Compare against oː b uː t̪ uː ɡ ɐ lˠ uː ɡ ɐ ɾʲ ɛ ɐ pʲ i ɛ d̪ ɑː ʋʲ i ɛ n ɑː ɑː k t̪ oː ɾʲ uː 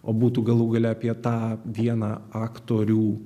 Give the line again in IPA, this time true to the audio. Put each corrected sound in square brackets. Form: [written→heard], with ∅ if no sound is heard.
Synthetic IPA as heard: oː b uː t̪ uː ɡ ɐ lˠ uː ɡ ɐ [ɾʲ→lʲ] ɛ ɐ pʲ i ɛ [d̪→t̪] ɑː ʋʲ i ɛ n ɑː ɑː k t̪ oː ɾʲ uː